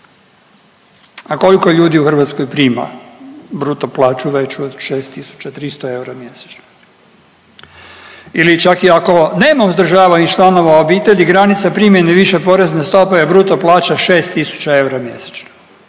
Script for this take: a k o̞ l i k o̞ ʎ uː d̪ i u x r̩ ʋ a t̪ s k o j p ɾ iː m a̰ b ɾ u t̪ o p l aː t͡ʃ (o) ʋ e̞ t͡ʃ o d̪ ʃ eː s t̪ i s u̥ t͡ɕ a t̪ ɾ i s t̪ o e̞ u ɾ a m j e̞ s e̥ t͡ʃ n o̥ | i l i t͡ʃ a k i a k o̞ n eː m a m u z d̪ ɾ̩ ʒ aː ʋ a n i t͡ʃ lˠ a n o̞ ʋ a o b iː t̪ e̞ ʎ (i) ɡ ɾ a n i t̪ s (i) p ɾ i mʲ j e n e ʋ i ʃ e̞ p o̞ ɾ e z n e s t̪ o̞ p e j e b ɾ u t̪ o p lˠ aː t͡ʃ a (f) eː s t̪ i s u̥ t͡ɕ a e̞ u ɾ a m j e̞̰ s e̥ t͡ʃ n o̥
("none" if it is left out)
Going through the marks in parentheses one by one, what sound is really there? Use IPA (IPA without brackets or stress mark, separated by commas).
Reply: u, i, a, ʃ